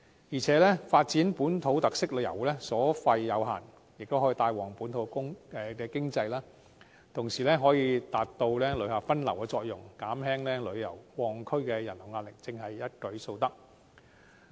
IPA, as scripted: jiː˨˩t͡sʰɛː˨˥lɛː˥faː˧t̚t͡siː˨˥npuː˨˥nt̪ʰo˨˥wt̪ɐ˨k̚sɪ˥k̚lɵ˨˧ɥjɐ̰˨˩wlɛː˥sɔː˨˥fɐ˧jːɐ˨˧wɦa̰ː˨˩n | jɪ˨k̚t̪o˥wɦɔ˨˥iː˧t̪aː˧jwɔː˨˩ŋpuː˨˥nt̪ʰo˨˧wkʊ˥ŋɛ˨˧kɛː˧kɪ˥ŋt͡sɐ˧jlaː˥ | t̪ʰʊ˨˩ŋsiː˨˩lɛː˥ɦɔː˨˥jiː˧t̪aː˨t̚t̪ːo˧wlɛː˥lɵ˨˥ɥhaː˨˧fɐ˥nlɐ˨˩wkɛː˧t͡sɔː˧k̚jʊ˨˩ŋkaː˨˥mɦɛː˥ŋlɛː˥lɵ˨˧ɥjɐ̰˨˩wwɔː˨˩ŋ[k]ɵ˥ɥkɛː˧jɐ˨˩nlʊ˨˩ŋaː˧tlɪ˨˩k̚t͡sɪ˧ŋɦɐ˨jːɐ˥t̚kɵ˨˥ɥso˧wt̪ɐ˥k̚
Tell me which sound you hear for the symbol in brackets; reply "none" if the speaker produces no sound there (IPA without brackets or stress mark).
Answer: kʰ